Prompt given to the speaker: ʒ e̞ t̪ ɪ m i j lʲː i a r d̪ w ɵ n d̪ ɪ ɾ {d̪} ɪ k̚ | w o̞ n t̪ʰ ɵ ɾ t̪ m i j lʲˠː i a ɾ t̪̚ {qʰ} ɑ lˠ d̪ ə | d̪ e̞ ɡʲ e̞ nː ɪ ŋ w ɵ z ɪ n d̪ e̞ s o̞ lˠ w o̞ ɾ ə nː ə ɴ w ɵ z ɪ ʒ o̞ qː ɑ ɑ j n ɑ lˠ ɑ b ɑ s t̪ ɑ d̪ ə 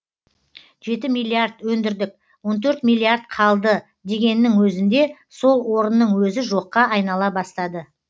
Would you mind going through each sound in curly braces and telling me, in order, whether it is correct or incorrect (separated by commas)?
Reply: correct, correct